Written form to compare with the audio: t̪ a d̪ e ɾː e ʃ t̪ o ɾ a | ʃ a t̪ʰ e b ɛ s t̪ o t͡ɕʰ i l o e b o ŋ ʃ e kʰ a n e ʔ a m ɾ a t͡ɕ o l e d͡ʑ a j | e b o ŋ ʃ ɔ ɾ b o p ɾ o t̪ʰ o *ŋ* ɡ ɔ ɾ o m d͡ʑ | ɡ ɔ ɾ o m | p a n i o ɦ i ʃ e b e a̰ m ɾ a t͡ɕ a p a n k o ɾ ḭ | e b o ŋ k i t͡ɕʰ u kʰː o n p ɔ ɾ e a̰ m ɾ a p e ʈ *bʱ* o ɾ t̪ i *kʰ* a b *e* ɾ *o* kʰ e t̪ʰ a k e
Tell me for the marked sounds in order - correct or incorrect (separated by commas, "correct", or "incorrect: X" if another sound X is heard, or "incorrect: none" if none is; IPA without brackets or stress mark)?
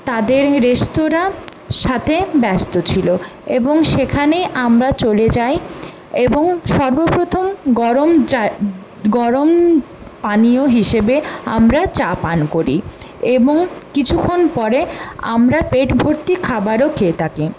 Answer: incorrect: m, correct, correct, incorrect: a, correct